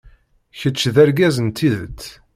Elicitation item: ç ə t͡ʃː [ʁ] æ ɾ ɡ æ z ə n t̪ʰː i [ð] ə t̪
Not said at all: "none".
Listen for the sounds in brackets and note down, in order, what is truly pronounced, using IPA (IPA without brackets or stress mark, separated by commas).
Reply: ð, ð